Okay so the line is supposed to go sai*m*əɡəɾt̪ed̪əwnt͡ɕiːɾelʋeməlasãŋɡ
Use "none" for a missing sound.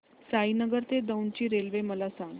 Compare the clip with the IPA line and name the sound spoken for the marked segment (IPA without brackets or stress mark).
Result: n